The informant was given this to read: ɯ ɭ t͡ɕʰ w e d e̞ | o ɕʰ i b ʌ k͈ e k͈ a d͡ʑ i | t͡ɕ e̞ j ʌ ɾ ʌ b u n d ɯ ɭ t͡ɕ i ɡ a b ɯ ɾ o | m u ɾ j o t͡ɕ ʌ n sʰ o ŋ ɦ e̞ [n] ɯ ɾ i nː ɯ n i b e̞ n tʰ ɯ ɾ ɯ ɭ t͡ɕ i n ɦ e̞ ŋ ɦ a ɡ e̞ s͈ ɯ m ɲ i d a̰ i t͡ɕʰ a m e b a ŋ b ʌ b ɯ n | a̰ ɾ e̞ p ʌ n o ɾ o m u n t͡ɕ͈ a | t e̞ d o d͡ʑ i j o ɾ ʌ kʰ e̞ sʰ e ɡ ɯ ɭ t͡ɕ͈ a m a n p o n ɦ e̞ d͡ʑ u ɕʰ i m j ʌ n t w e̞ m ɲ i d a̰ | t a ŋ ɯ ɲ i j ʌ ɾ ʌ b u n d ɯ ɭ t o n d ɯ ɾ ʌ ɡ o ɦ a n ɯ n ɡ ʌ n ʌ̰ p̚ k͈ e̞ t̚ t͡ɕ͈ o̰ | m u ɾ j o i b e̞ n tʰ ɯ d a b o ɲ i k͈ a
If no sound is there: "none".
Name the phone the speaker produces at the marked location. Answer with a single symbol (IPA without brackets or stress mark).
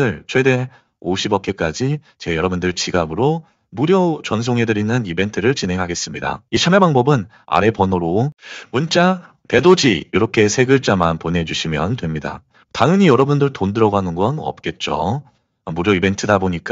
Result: d